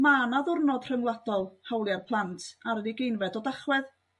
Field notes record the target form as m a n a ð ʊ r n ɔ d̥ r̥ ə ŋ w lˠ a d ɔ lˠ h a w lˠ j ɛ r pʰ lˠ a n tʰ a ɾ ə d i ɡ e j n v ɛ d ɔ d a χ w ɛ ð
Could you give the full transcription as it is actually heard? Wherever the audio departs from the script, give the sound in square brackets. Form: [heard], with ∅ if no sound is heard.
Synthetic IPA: m a n a ð ʊ r n ɔ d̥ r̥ ə ŋ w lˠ a d ɔ lˠ h a w lˠ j [a] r pʰ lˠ a n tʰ a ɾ ə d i ɡ e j n v ɛ d ɔ d a χ w ɛ ð